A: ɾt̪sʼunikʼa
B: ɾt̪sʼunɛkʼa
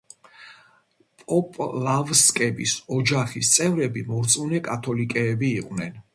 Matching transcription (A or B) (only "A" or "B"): B